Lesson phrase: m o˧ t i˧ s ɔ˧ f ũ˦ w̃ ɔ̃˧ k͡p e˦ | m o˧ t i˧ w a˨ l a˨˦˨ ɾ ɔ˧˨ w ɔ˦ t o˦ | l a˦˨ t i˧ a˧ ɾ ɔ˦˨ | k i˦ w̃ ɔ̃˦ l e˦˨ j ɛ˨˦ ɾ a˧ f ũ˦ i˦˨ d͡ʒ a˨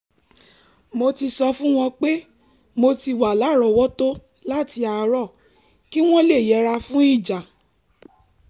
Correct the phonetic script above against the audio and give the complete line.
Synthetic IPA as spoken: m o˧ t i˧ s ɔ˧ f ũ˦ w̃ ɔ̃˧ k͡p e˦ | m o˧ t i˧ w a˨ l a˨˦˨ ɾ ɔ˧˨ w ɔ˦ t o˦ | l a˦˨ t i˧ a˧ ɾ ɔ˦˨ | k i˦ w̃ ɔ̃˦ l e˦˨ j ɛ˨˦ ɾ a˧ f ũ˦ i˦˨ d͡ʒ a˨

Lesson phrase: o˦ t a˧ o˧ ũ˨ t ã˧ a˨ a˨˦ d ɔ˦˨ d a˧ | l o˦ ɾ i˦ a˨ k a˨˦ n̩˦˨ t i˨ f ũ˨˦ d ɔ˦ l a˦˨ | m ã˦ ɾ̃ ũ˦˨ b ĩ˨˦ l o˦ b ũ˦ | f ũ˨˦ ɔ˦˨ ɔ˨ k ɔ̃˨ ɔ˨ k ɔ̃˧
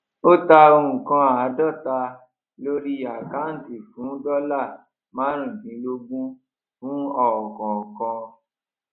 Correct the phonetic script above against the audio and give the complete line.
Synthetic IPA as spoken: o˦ t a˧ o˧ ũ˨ k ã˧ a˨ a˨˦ d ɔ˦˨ t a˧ | l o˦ ɾ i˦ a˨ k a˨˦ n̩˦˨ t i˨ f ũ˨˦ d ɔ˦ l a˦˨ | m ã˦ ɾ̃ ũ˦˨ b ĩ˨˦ l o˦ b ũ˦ | f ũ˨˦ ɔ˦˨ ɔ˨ k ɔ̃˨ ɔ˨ k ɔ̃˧

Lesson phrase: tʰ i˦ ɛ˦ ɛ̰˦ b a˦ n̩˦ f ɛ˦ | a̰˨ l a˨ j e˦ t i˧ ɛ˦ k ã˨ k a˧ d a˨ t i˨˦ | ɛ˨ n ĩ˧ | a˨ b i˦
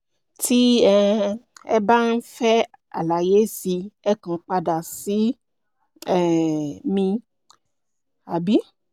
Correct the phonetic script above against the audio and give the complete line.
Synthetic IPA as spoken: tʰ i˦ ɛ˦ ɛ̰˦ b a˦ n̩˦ f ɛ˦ | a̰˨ l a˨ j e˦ s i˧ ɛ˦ k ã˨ k͡p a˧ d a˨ s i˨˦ | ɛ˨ m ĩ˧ | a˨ b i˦

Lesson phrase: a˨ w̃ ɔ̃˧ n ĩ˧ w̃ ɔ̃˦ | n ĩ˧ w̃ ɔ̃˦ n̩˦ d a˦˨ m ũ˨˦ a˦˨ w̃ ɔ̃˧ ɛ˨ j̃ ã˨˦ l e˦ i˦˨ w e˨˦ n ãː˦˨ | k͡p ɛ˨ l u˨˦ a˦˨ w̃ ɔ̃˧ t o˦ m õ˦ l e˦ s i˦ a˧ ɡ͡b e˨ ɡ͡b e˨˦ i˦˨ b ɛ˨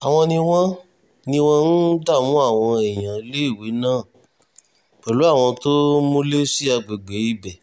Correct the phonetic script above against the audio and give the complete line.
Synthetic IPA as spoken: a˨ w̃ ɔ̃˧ n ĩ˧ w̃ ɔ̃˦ | n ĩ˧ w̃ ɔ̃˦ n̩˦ d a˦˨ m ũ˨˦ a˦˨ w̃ ɔ̃˧ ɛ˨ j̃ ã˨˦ l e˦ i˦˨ w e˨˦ n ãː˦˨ | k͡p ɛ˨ l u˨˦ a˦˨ w̃ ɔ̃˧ t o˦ m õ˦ l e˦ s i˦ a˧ ɡ͡b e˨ ɡ͡b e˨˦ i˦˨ b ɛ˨

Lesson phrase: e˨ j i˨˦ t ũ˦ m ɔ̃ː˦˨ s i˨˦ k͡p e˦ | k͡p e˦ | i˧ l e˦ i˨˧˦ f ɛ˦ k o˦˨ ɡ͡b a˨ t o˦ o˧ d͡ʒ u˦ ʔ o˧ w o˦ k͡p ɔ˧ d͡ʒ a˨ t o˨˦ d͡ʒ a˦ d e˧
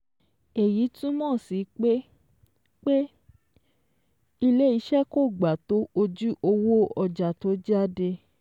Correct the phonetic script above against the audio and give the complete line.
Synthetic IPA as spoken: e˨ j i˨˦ t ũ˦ m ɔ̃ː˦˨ s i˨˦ k͡p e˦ | k͡p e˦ | i˧ l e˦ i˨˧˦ ʃ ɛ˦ k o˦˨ ɡ͡b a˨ t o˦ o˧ d͡ʒ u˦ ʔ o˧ w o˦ ɔ˧ d͡ʒ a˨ t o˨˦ d͡ʒ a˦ d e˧

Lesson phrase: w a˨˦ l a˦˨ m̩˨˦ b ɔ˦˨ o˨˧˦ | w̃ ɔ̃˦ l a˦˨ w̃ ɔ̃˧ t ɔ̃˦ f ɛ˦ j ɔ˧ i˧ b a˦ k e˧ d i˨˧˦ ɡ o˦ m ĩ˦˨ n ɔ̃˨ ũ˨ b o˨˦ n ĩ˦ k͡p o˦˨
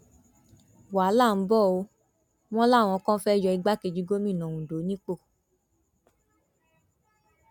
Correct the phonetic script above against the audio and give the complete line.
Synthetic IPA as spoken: w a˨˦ l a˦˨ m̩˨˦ b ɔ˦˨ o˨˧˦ | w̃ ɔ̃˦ l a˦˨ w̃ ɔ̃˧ k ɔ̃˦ f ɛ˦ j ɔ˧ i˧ ɡ͡b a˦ k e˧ d͡ʒ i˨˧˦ ɡ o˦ m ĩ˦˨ n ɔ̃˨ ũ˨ d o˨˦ n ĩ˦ k͡p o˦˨

